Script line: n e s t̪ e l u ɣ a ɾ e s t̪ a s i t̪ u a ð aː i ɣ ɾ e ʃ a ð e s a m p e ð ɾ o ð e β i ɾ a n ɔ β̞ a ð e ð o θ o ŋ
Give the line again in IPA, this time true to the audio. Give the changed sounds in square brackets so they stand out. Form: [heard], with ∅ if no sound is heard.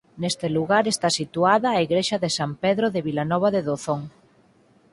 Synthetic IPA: n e s t̪ e l u ɣ a ɾ e s t̪ a s i t̪ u a ð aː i ɣ ɾ e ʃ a ð e s a m p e ð ɾ o ð e β i [l] a n ɔ β̞ a ð e ð o θ o ŋ